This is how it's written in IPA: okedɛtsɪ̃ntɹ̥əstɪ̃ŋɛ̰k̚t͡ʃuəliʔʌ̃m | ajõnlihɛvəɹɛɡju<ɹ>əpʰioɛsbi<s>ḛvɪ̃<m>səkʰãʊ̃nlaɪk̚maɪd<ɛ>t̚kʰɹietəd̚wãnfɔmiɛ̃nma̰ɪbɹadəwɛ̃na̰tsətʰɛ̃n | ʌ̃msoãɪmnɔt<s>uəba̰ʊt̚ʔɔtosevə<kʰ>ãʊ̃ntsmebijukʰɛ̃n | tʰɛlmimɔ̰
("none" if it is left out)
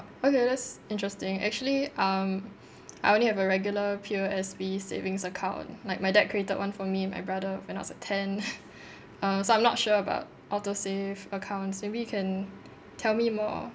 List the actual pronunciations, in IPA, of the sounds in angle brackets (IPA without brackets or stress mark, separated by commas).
l, s, ŋ, ɛ, ʃ, kʰ